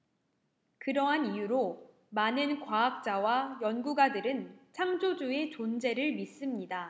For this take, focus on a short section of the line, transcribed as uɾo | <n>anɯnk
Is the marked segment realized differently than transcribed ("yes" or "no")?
yes